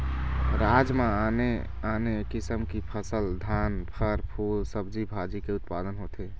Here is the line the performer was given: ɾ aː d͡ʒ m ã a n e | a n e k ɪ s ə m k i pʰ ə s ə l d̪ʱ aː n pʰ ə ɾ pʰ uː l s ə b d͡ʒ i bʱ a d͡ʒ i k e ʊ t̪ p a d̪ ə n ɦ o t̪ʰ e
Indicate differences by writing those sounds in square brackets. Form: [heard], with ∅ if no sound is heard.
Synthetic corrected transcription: ɾ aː d͡ʒ m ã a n e | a n e k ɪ s ə m k i pʰ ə s ə l d̪ʱ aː n pʰ ə ɾ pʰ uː l s ə b d͡ʒ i bʱ a d͡ʒ i k e ʊ t̪ p a d̪ ə n ɦ o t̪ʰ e